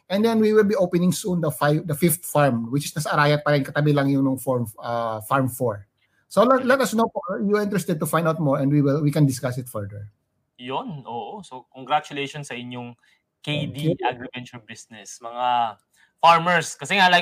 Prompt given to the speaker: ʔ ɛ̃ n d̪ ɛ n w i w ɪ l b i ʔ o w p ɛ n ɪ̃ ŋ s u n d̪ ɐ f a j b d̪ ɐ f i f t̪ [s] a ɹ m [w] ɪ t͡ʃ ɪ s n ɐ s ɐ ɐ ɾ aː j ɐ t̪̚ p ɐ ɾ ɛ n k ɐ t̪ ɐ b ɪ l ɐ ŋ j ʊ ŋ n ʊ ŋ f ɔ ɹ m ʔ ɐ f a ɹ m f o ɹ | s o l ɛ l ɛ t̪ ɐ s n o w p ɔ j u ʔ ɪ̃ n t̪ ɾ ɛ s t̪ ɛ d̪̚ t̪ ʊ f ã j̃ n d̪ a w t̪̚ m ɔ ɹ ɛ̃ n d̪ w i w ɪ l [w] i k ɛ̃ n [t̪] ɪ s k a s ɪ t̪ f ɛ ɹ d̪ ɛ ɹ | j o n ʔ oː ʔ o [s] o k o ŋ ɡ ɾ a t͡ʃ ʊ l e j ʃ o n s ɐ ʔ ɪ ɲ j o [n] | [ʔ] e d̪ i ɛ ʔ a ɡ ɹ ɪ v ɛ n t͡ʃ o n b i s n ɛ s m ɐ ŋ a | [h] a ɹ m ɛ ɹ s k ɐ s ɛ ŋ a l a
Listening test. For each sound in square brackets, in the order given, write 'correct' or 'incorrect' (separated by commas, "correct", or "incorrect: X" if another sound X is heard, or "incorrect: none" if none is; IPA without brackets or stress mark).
incorrect: f, correct, correct, incorrect: d̪, correct, incorrect: ŋ, incorrect: k, incorrect: f